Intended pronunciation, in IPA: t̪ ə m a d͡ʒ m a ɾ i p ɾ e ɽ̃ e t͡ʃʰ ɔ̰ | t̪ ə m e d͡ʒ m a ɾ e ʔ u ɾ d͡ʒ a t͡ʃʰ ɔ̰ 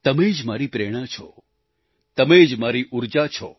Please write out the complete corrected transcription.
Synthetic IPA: t̪ ə m e d͡ʒ m a ɾ i p ɾ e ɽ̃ a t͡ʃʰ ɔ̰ | t̪ ə m e d͡ʒ m a ɾ i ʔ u ɾ d͡ʒ a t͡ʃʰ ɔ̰